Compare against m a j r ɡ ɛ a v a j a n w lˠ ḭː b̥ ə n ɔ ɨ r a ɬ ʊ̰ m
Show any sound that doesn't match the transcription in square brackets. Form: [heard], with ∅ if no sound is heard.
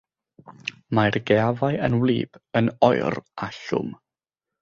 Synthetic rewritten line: m a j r ɡ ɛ a v a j [ə] n w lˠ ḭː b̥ ə n ɔ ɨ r a ɬ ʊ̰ m